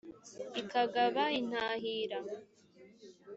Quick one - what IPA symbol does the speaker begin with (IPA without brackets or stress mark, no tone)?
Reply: i